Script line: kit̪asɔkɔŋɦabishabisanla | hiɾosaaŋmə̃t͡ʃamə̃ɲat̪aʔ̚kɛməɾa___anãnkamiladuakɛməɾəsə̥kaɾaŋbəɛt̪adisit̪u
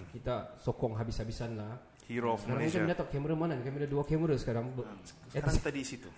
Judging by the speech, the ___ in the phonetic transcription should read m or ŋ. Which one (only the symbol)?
m